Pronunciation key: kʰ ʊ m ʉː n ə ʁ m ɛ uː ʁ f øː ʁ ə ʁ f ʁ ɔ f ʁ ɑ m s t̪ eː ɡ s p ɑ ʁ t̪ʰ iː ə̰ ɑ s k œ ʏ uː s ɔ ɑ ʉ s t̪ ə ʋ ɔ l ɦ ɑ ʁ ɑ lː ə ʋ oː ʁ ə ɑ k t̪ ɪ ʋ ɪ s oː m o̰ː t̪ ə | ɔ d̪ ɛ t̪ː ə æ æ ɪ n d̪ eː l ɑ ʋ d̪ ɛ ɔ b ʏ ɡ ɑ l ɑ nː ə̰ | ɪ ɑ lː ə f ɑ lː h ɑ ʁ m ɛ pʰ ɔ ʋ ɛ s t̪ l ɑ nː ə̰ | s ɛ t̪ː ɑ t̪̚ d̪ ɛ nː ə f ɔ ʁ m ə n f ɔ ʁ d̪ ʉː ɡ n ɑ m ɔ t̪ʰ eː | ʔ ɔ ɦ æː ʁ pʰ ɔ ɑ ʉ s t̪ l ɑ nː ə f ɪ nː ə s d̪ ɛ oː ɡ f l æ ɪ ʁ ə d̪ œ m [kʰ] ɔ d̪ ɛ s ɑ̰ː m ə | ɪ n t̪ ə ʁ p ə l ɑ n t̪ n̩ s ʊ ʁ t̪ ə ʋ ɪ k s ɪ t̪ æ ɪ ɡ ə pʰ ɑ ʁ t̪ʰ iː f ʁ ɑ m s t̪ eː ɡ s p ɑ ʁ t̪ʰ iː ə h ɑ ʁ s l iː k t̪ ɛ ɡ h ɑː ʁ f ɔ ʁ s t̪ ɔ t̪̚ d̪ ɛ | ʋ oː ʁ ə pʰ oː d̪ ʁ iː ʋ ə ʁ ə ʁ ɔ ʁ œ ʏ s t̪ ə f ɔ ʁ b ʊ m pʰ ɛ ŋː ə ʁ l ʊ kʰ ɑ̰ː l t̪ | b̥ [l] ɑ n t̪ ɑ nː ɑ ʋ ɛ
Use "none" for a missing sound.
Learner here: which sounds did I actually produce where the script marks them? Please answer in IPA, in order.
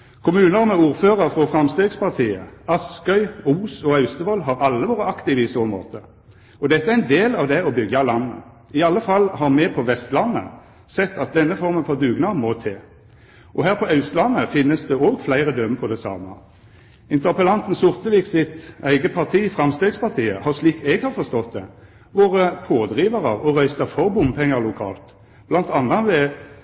pʰ, l

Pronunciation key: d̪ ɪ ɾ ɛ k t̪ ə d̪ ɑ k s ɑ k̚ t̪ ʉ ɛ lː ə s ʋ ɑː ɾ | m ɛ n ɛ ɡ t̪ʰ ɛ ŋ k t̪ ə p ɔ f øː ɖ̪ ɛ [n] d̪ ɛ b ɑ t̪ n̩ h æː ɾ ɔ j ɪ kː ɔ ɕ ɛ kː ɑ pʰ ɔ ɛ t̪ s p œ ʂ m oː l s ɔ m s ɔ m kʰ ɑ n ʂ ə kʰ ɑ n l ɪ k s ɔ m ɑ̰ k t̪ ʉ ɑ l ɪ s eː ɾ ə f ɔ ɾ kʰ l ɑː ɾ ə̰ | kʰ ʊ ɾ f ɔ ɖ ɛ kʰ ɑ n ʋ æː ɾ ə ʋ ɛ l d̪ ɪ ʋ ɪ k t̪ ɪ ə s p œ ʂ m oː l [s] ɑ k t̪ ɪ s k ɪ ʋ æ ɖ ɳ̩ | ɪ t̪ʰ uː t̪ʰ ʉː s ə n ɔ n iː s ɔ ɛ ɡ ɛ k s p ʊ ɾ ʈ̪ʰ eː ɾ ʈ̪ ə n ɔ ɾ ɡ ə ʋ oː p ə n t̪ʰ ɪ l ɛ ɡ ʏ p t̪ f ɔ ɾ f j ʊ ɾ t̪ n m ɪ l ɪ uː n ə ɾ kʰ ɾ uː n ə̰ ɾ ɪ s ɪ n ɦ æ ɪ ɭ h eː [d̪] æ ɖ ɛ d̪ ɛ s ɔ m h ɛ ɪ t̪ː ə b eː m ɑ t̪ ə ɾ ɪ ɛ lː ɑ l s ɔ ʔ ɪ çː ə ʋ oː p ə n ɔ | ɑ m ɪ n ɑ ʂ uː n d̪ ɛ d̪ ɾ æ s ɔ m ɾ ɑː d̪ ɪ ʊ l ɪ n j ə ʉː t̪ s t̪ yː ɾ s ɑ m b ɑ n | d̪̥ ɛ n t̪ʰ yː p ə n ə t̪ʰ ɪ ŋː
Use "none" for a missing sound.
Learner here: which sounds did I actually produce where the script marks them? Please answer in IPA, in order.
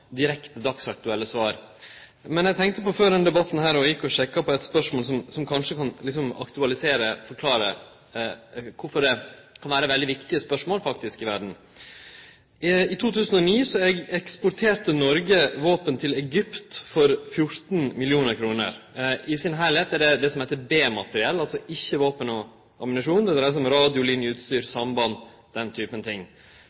n, f, t̪

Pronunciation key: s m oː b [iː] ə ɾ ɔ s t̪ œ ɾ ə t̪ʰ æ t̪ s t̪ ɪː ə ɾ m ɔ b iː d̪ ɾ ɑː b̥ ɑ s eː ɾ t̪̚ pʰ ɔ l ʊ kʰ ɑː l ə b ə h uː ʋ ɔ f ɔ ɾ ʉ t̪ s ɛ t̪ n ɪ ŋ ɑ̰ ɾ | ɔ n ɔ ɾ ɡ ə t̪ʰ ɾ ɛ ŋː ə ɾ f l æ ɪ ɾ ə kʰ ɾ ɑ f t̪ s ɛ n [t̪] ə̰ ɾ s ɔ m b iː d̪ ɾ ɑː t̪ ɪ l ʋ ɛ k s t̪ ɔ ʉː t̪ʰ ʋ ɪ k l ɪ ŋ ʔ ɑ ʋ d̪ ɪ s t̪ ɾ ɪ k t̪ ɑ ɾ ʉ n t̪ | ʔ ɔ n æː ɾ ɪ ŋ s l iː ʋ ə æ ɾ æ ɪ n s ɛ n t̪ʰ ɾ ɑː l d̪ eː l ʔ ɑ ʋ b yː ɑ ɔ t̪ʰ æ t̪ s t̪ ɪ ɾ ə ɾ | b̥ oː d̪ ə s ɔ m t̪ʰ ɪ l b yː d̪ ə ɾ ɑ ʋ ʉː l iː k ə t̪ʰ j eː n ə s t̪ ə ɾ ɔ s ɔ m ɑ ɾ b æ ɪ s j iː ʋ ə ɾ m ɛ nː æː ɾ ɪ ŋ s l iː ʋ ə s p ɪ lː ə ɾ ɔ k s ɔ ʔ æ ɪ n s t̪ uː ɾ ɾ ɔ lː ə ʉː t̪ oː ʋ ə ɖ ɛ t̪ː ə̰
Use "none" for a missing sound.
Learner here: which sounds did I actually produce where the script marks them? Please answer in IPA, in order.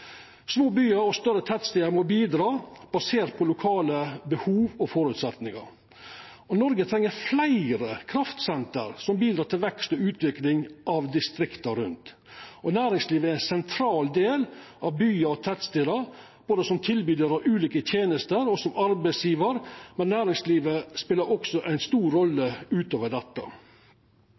yː, t̪

